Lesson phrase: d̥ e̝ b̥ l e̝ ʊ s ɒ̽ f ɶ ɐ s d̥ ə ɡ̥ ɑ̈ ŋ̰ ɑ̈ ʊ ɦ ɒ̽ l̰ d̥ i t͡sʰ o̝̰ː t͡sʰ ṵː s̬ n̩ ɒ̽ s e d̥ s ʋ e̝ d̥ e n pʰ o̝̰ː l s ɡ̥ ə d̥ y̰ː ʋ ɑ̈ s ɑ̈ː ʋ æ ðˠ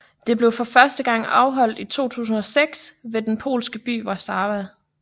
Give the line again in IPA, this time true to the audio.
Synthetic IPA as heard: d̥ e̝ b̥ l e̝ ʊ f ɒ̽ f ɶ ɐ s d̥ ə ɡ̥ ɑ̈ ŋ̰ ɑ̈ ʊ ɦ ɒ̽ l̰ d̥ i t͡sʰ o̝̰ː t͡sʰ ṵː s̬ n̩ ɒ̽ s e ɡ̥ s ʋ e̝ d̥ e n pʰ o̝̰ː l s ɡ̥ ə b̥ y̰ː ʋ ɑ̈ s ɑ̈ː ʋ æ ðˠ